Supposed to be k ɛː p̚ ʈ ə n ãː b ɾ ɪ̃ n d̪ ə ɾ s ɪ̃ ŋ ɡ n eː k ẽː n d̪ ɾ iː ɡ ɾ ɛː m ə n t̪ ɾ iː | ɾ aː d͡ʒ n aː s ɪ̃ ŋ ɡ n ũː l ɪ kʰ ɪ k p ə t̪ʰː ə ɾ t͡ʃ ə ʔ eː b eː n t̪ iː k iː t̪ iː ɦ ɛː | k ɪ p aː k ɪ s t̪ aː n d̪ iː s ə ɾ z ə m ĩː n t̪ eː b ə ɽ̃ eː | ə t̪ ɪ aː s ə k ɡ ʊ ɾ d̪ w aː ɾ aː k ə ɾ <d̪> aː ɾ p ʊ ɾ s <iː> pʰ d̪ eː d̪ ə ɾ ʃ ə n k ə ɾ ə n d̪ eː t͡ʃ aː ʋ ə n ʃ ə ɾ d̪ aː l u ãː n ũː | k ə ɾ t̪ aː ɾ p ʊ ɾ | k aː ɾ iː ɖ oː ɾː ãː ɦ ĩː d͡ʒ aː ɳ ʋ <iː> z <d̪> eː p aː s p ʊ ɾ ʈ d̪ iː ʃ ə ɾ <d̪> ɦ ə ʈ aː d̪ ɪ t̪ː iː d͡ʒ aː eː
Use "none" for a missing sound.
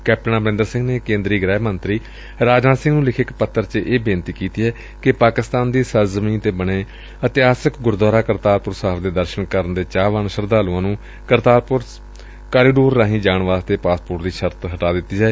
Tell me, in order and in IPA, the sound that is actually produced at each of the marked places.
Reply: t̪, aː, aː, t̪, t̪

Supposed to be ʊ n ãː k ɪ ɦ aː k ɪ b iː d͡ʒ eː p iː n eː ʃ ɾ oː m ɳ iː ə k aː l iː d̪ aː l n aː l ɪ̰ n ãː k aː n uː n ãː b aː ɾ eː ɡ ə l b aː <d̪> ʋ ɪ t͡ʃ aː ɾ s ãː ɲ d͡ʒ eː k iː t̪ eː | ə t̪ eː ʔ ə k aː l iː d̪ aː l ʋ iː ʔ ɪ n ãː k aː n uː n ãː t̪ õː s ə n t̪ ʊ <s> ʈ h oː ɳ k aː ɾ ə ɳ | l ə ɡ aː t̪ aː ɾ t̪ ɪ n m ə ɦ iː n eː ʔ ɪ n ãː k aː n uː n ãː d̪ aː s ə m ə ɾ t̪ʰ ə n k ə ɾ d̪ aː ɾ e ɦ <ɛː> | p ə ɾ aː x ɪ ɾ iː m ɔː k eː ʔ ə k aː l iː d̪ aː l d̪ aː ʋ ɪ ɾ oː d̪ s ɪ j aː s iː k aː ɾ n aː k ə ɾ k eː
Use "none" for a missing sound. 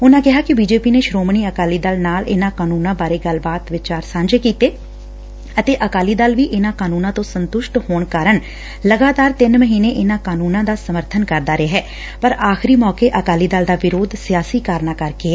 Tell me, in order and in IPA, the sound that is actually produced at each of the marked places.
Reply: t̪, ʃ, ɛː

